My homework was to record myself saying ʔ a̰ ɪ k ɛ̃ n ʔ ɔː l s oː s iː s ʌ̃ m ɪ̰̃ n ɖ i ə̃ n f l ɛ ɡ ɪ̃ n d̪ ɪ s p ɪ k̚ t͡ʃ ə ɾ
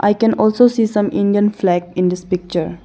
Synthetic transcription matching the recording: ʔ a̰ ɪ k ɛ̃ n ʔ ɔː l s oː s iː s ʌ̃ m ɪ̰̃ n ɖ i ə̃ n f l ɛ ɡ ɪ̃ n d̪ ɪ s p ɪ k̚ t͡ʃ ə ɾ